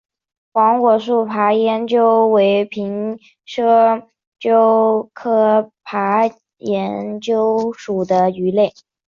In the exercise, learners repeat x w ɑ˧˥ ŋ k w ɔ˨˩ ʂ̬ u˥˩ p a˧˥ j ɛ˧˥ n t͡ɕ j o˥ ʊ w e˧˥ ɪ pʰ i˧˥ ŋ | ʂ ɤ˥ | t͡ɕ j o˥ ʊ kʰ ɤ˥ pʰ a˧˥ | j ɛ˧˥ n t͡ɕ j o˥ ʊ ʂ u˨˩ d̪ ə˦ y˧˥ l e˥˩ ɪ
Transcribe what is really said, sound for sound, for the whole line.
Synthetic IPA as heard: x w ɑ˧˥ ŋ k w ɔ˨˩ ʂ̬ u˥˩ pʰ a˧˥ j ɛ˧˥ n t͡ɕ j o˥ ʊ w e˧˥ ɪ pʰ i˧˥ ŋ | ʂ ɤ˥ | t͡ɕ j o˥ ʊ kʰ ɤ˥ pʰ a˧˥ | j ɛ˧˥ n t͡ɕ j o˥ ʊ ʂ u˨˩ d̪ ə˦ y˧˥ l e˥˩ ɪ